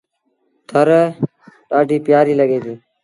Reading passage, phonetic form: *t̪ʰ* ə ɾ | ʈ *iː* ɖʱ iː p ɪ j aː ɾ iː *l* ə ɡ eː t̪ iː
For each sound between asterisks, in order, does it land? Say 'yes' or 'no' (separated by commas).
yes, no, yes